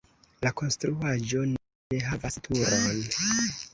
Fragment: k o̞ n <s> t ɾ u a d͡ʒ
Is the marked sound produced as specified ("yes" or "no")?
yes